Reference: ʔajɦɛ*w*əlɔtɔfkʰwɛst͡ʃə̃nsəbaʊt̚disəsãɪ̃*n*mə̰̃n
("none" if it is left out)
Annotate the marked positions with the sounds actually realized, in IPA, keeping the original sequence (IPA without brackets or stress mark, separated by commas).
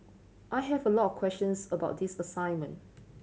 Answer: v, n